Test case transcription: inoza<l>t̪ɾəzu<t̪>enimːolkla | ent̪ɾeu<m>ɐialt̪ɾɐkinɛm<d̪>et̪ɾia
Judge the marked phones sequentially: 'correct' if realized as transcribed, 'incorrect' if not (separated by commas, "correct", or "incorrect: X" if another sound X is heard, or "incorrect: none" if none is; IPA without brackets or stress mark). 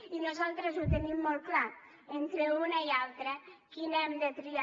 correct, correct, incorrect: n, correct